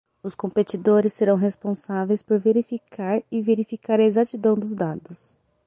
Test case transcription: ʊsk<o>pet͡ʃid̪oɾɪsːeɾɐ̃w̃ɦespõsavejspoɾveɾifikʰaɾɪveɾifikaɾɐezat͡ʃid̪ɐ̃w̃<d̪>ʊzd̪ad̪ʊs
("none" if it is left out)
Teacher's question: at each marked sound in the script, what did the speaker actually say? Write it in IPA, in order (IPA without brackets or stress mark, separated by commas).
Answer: õ, d̪